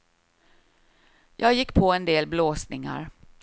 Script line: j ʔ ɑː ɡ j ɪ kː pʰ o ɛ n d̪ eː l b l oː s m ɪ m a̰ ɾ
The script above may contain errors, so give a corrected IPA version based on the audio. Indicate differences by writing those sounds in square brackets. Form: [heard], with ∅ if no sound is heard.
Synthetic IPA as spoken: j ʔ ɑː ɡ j ɪ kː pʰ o ɛ n d̪ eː l b l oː s [n] ɪ [ŋ] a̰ ɾ